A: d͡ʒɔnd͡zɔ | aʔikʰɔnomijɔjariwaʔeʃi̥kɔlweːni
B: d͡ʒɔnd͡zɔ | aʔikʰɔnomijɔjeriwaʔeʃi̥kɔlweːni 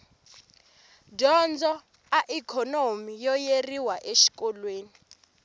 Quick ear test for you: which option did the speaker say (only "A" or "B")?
B